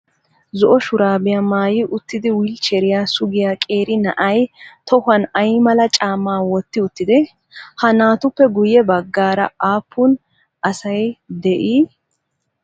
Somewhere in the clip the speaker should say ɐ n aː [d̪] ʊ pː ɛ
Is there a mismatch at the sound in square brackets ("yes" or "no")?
yes